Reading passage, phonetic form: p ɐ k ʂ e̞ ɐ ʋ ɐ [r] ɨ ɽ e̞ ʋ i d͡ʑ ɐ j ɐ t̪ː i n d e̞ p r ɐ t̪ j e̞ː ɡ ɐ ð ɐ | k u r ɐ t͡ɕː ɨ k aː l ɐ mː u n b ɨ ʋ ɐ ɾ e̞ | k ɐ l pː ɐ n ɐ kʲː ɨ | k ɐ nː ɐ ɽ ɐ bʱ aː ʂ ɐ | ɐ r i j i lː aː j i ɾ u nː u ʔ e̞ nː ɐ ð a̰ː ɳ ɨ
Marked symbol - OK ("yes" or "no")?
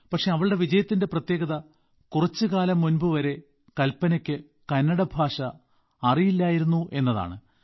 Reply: no